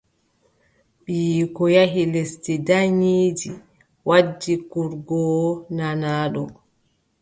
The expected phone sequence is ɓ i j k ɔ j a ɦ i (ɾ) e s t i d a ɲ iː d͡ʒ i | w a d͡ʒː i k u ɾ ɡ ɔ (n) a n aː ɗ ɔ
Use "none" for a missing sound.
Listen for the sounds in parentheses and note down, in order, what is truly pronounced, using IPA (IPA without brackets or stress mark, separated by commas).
l, n